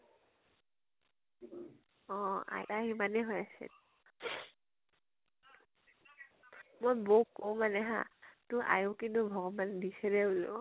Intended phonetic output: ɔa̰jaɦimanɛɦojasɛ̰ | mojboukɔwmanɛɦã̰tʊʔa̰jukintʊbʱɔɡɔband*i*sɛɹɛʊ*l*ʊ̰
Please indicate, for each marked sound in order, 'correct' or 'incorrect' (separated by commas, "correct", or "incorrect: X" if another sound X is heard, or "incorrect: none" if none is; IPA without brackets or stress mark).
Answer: correct, correct